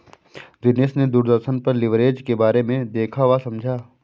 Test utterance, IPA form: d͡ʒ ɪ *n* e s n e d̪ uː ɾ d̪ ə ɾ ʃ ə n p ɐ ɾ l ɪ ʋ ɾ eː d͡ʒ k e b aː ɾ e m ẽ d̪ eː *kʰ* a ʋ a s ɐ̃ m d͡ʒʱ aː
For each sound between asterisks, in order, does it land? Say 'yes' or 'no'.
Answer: yes, yes

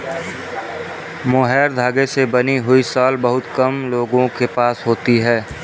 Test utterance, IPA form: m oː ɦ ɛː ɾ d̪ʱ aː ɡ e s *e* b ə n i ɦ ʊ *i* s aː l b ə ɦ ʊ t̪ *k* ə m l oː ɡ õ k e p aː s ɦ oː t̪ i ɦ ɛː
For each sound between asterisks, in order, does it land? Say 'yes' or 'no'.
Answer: yes, yes, yes

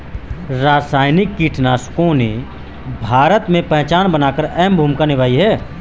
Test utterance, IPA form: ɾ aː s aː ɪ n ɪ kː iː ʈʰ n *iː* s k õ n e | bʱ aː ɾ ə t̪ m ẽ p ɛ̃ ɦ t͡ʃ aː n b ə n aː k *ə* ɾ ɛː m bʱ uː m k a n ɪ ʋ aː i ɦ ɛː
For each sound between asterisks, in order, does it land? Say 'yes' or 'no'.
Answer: no, yes

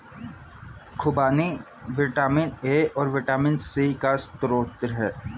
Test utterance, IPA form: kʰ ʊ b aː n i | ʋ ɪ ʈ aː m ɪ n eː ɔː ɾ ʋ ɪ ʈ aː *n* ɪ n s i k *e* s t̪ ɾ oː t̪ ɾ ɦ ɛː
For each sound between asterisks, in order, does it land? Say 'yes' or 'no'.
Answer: no, no

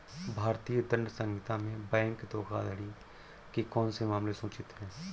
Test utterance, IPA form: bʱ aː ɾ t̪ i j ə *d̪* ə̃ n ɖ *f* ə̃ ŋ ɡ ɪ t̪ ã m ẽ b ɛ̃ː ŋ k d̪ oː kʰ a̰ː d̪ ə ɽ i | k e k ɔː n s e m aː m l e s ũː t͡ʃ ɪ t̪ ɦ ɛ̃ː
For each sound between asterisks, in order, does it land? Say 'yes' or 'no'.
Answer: yes, no

